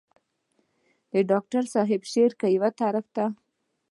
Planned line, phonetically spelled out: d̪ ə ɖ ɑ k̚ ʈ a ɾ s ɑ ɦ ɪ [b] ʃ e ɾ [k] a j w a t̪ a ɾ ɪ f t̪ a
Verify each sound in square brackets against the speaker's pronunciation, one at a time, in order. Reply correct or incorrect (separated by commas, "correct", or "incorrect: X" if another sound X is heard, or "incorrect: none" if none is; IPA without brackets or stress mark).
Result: correct, correct